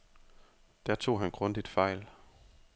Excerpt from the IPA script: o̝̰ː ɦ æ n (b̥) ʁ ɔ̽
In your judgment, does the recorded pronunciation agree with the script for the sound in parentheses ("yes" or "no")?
no